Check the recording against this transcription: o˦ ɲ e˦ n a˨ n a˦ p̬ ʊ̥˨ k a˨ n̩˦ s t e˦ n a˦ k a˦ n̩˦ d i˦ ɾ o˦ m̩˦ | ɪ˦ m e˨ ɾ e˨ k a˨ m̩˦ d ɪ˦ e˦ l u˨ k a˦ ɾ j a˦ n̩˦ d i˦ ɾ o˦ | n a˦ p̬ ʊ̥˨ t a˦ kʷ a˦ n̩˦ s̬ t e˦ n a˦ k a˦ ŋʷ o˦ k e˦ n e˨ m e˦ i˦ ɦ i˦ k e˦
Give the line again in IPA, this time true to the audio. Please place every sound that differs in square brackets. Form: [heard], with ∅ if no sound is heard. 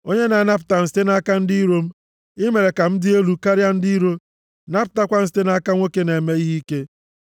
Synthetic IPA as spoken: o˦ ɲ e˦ n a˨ n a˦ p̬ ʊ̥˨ [t] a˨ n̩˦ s t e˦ n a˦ k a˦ n̩˦ d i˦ ɾ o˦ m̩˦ | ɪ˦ m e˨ ɾ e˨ k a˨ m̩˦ d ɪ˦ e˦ l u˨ k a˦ ɾ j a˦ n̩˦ d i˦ ɾ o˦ | n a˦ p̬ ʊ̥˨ t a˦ kʷ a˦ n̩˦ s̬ t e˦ n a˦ k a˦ ŋʷ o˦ k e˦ n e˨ m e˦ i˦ ɦ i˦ k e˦